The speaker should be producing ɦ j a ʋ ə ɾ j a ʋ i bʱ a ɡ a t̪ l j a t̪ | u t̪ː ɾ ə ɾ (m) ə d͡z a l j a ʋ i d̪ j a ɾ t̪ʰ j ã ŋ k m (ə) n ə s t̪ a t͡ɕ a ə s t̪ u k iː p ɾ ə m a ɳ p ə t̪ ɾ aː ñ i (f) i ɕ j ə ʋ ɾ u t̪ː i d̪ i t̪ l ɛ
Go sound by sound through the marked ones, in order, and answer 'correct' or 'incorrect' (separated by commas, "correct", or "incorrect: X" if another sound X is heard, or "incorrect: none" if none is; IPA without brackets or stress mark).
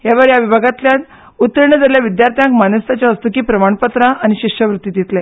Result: incorrect: ɳ, incorrect: a, incorrect: ɕ